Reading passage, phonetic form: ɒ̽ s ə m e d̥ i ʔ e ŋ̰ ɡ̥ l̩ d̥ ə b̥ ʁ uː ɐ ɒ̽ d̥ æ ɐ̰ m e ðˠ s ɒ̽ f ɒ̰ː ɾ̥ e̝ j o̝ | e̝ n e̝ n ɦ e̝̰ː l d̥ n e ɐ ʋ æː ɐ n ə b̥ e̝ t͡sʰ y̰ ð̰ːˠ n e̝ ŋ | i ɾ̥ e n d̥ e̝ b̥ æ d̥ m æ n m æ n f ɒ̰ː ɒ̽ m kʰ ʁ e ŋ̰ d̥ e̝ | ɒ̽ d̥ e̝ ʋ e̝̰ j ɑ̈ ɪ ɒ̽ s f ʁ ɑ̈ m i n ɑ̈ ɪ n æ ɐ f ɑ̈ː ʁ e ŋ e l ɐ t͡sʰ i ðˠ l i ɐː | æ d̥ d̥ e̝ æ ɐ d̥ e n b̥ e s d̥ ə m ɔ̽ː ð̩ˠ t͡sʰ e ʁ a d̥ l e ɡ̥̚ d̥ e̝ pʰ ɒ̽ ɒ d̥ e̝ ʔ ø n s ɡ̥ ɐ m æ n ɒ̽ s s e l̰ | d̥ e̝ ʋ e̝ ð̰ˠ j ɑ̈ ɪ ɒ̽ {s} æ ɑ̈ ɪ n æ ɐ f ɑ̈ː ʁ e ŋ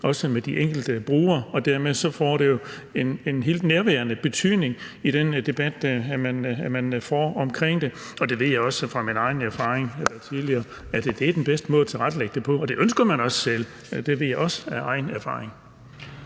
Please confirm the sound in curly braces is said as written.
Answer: yes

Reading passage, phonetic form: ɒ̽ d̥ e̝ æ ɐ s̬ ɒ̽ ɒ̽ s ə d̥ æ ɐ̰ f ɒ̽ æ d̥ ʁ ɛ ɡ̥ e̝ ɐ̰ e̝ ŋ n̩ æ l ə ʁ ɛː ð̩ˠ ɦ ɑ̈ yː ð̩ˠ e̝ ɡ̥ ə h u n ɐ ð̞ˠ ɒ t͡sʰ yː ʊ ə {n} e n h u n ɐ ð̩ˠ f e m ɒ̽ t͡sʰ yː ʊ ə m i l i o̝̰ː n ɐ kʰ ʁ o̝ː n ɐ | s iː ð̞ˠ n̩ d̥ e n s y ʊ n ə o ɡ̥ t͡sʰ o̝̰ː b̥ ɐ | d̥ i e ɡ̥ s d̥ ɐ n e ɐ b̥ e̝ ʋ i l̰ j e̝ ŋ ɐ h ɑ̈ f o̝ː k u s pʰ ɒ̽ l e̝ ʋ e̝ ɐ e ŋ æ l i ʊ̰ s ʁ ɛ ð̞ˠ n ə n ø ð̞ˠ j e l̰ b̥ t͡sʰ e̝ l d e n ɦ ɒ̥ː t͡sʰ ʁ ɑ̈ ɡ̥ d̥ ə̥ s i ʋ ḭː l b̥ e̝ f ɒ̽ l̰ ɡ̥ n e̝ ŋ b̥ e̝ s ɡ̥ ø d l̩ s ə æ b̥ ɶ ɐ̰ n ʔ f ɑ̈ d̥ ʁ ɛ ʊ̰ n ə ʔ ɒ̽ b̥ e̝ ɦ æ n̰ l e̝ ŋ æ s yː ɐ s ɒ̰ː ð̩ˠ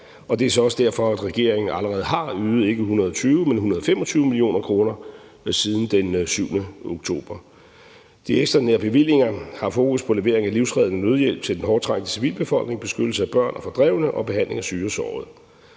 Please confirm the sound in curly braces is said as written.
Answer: no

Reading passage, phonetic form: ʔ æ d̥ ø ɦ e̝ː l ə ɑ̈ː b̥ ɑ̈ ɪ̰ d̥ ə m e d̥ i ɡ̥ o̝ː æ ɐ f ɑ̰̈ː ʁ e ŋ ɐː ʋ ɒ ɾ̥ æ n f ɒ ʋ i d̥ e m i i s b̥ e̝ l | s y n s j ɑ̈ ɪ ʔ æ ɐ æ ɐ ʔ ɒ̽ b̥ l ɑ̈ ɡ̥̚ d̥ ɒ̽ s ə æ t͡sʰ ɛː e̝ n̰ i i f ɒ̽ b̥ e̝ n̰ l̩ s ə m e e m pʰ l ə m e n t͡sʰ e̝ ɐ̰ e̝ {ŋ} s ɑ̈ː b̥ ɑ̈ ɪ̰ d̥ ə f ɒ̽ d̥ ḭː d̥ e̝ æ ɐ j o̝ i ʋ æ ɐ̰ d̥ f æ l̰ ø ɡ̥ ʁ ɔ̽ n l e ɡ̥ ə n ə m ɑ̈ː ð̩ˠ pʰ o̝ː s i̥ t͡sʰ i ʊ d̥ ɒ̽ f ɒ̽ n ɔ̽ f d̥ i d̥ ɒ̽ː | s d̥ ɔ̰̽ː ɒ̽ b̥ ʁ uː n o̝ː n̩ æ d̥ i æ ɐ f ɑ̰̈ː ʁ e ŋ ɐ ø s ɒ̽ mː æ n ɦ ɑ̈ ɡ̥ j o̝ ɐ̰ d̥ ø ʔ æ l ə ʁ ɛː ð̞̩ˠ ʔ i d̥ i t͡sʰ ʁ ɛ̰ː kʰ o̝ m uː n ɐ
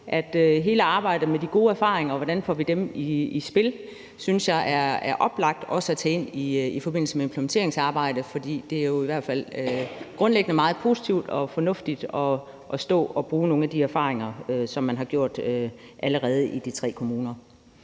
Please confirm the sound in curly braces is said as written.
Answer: yes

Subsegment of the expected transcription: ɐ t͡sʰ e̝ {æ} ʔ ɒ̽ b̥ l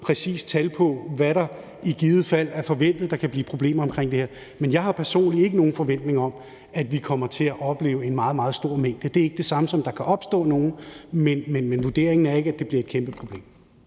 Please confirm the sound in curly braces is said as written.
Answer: yes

